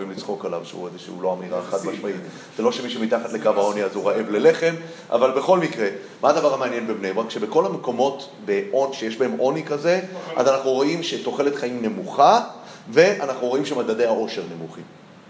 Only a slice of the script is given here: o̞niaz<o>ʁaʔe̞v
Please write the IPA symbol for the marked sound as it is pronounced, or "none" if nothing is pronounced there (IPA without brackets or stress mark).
u